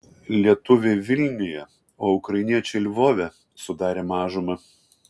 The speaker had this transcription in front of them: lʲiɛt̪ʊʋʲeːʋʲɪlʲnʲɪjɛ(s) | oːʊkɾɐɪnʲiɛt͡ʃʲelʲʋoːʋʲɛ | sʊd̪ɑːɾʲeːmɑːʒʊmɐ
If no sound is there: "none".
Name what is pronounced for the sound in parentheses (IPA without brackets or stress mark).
none